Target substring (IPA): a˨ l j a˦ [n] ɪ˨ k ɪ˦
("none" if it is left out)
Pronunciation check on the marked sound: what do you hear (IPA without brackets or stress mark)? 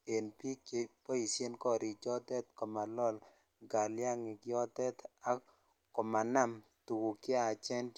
ŋ